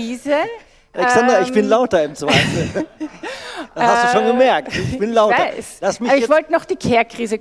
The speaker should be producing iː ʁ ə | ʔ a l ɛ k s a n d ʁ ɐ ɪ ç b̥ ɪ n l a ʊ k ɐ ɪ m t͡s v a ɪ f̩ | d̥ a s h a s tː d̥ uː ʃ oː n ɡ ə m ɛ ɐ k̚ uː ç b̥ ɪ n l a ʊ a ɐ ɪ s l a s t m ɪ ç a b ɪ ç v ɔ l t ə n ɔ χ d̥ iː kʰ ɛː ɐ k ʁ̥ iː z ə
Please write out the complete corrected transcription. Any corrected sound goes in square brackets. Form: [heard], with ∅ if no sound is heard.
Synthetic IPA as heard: iː [z] ə | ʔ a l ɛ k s a n d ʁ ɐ ɪ ç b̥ ɪ n l a ʊ [t] ɐ ɪ m t͡s v a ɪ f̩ | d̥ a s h a s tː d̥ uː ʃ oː n ɡ ə m ɛ ɐ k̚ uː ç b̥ ɪ n l a ʊ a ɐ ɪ s l a s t m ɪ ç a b ɪ ç v ɔ l t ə n ɔ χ d̥ iː kʰ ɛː ɐ k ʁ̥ iː z ə